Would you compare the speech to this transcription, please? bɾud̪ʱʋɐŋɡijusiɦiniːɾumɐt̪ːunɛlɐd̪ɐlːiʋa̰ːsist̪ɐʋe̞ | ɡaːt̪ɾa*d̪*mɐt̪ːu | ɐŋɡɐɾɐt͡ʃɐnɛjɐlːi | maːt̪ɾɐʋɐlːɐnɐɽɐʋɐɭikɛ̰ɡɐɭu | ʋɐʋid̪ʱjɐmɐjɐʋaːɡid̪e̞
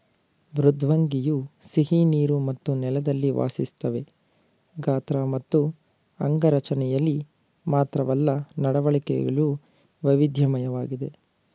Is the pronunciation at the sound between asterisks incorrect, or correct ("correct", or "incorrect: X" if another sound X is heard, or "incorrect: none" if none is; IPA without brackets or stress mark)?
incorrect: none